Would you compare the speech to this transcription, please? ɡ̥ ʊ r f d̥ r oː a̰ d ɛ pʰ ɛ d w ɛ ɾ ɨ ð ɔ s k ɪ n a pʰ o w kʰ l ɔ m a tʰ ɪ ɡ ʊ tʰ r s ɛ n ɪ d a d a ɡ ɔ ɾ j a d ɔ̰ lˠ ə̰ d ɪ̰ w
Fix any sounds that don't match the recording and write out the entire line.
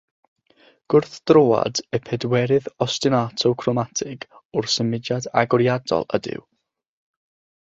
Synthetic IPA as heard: ɡ̥ ʊ r θ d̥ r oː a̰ d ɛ pʰ ɛ d w ɛ ɾ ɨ ð ɔ s t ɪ n a tʰ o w kʰ r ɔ m a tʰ ɪ ɡ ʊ r s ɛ m ɪ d a d a ɡ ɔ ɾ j a d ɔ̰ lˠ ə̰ d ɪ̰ w